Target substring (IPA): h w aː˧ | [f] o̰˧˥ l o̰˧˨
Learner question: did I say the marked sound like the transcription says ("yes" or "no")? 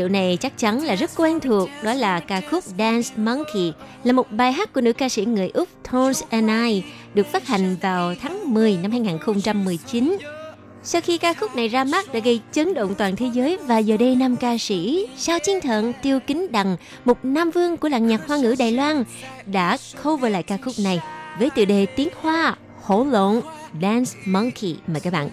no